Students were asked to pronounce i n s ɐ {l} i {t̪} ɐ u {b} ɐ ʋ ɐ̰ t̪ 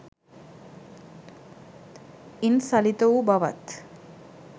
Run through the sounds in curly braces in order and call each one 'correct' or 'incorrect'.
correct, correct, correct

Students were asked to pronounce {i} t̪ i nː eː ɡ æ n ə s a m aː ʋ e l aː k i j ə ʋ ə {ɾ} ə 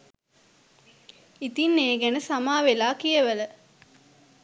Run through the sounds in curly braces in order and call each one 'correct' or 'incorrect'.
correct, incorrect: l

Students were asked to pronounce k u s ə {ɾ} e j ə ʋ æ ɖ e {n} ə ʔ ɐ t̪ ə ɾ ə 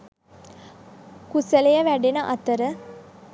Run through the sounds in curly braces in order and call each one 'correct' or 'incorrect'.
incorrect: l, correct

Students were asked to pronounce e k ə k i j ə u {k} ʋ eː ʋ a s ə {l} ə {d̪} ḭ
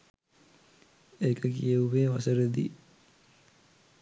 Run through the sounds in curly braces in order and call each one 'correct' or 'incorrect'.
incorrect: none, incorrect: ɾ, correct

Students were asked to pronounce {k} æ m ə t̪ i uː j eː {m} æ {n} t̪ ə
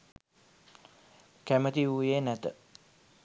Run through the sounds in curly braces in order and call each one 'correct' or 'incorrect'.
correct, incorrect: n, incorrect: none

